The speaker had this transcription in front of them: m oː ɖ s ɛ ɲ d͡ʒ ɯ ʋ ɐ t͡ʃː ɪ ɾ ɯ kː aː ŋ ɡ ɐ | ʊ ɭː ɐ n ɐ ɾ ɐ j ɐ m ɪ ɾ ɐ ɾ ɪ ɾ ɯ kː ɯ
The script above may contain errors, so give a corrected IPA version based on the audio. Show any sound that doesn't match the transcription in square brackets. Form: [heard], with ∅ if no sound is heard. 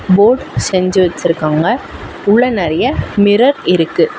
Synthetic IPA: [b] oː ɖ s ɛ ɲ d͡ʒ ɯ ʋ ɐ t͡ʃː ɪ ɾ ɯ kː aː ŋ ɡ ɐ | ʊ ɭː ɐ n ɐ ɾ ɐ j ɐ m ɪ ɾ ɐ ɾ ɪ ɾ ɯ kː ɯ

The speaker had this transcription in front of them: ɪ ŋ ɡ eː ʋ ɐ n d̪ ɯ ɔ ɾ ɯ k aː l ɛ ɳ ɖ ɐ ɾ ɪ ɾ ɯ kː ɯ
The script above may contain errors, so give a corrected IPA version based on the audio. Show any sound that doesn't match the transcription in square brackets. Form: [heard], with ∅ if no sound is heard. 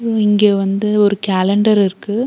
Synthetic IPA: ɪ ŋ ɡ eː ʋ ɐ n d̪ ɯ ɔ ɾ ɯ k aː l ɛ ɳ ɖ ɐ ɾ ɪ ɾ ɯ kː ɯ

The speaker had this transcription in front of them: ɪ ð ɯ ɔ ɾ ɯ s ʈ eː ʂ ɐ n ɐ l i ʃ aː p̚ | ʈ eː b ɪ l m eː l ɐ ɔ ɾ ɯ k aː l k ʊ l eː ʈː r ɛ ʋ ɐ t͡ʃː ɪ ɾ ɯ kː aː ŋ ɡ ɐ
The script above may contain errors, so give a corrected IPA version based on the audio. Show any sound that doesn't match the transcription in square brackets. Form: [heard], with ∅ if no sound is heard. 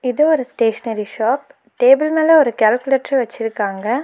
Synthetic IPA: ɪ ð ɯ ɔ ɾ ɯ s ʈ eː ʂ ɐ n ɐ [ɾ] i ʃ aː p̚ | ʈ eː b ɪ l m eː l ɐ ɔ ɾ ɯ k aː l k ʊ l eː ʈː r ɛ ʋ ɐ t͡ʃː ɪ ɾ ɯ kː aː ŋ ɡ ɐ

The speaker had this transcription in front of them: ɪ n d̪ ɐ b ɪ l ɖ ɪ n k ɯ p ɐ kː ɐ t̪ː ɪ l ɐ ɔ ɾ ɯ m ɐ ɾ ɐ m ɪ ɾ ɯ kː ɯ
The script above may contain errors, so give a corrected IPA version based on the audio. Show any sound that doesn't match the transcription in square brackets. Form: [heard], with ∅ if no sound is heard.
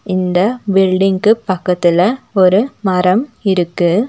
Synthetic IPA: ɪ n d̪ ɐ b ɪ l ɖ ɪ [ŋ] k ɯ p ɐ kː ɐ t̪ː ɪ l ɐ ɔ ɾ ɯ m ɐ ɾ ɐ m ɪ ɾ ɯ kː ɯ

